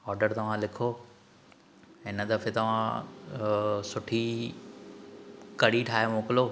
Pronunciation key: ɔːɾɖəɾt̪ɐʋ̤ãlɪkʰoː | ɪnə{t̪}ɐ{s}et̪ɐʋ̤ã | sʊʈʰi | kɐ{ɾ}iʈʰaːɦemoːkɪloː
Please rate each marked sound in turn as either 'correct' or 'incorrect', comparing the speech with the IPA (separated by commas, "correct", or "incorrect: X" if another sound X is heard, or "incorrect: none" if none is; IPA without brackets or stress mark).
incorrect: d̪, incorrect: f, incorrect: ɽ